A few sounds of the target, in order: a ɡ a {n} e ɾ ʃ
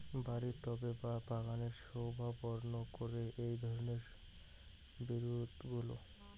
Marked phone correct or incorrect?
correct